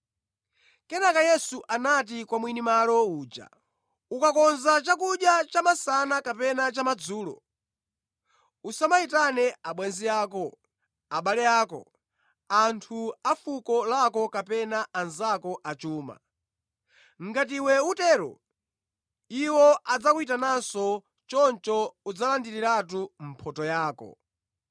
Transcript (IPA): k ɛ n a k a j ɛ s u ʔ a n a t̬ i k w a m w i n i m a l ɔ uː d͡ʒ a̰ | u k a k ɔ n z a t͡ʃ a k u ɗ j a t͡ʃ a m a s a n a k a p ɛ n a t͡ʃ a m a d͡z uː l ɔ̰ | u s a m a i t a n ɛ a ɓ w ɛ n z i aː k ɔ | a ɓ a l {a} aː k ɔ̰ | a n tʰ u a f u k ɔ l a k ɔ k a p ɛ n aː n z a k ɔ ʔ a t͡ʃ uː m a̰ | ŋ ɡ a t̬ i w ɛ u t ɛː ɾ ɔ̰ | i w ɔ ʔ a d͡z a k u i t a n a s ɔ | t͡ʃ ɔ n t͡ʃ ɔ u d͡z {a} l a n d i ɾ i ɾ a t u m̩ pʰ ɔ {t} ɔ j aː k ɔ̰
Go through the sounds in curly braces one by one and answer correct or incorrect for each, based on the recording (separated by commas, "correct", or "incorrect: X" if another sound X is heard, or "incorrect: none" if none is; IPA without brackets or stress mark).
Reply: incorrect: ɛ, correct, correct